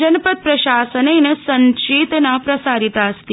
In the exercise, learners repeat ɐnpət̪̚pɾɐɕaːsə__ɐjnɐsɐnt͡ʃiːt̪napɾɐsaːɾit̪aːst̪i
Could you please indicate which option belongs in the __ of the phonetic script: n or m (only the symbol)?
n